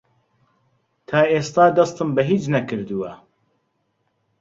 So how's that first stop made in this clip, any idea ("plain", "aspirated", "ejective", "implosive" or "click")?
aspirated